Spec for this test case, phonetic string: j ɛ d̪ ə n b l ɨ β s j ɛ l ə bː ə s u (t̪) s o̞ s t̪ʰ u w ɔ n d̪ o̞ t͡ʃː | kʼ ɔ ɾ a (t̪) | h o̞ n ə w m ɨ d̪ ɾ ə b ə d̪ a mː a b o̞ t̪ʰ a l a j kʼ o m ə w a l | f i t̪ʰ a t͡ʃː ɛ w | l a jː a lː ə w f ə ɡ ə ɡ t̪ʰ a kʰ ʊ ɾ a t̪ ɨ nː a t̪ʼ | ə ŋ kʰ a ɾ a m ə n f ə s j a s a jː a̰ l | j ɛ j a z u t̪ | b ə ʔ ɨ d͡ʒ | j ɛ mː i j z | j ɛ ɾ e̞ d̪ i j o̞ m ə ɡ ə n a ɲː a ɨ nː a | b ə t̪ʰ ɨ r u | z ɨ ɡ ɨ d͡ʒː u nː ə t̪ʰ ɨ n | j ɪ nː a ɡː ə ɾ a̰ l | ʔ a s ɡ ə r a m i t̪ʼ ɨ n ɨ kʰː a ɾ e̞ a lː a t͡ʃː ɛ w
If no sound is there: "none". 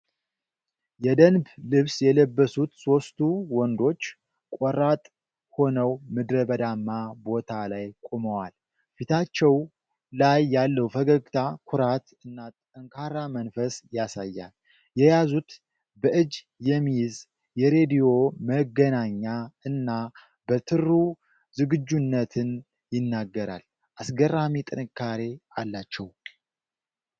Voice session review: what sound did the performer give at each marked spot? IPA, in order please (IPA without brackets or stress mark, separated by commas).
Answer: t̪, t̪ʼ